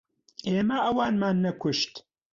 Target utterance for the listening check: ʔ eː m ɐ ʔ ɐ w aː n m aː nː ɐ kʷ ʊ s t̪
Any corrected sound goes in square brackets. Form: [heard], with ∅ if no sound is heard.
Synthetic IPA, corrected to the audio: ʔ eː m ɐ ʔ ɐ w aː n m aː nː ɐ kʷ ʊ [ʃ] t̪